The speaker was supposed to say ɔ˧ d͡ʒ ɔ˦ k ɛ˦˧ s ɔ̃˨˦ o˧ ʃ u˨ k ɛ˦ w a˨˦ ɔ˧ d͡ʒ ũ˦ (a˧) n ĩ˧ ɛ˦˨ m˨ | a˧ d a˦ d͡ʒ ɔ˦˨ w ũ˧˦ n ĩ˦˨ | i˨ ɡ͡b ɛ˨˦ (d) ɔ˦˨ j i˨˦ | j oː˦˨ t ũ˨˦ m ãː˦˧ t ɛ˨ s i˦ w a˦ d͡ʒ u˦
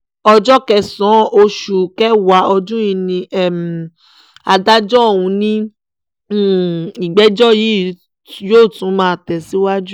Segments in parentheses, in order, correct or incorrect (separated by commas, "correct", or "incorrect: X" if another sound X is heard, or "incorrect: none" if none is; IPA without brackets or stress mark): incorrect: i˧, incorrect: d͡ʒ